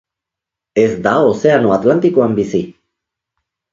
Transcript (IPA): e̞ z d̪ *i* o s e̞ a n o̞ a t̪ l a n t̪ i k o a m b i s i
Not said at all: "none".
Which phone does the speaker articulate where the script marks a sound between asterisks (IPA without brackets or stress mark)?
a